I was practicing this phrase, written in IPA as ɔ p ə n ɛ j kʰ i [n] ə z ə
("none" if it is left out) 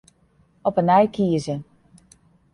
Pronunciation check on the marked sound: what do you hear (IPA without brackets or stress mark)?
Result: none